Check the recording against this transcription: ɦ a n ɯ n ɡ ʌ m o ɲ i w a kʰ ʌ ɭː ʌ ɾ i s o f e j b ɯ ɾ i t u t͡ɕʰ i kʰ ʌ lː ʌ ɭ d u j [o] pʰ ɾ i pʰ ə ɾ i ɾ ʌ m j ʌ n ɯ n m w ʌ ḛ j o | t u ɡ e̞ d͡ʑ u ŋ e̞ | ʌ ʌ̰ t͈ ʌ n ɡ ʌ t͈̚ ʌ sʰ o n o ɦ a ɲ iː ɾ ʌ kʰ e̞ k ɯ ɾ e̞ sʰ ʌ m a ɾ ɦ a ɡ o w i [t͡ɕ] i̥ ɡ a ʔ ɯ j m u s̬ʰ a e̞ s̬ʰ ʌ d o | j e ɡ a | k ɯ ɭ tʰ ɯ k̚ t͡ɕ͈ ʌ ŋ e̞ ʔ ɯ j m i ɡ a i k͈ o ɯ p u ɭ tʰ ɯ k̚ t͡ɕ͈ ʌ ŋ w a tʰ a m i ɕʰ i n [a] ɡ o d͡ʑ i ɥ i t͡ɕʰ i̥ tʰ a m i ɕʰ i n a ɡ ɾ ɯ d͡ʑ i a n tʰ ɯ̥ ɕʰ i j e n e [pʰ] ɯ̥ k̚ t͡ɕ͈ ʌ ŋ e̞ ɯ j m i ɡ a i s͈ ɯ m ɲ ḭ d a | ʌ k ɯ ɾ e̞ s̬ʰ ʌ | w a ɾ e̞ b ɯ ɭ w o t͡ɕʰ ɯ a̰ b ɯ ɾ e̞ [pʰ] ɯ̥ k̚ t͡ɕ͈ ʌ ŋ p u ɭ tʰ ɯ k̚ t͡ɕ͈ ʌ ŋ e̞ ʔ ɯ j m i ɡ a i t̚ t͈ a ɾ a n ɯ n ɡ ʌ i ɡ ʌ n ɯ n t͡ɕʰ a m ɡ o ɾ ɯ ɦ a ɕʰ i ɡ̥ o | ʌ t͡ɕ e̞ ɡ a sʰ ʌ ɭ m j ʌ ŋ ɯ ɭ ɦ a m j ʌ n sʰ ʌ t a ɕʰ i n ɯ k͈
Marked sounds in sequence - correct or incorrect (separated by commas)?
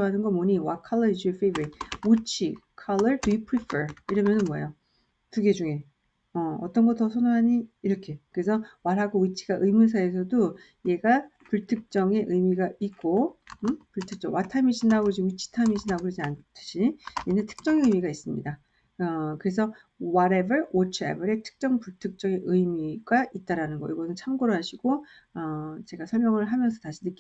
incorrect, incorrect, correct, incorrect, incorrect